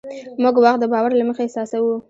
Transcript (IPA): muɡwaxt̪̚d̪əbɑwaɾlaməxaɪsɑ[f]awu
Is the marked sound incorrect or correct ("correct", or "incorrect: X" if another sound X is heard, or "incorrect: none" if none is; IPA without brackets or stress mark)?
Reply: incorrect: s